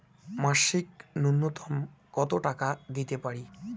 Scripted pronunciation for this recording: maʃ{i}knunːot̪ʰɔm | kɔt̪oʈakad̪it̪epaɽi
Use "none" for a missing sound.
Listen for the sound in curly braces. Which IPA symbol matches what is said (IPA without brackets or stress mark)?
i